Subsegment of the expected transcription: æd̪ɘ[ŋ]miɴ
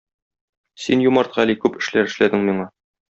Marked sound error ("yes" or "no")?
no